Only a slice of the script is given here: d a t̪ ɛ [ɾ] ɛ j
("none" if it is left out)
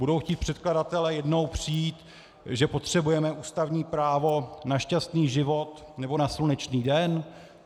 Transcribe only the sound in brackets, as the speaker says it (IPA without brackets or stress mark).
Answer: l